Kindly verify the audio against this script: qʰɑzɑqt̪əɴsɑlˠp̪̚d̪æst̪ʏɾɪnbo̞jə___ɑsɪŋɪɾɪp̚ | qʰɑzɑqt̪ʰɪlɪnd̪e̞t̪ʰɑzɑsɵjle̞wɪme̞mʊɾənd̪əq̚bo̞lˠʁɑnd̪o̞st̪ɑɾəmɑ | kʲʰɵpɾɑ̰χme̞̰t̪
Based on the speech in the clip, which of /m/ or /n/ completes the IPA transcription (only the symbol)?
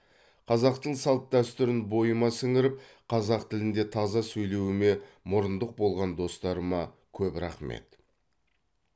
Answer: m